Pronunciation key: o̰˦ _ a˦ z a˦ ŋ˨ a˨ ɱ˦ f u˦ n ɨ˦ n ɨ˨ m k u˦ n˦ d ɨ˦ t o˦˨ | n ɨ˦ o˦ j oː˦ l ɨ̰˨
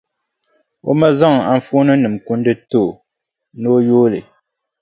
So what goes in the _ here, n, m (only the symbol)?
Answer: m